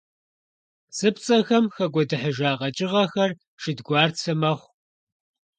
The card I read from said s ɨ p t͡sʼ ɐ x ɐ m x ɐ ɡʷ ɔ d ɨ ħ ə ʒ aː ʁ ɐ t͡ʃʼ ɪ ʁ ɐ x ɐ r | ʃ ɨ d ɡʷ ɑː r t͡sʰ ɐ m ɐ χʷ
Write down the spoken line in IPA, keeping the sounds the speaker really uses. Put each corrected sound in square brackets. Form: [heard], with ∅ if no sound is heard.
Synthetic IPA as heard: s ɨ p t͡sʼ ɐ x ɐ m x ɐ ɡʷ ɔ d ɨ ħ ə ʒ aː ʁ ɐ t͡ʃʼ ɪ ʁ ɐ x ɐ r | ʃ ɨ d ɡʷ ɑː r t͡sʰ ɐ m ɐ χʷ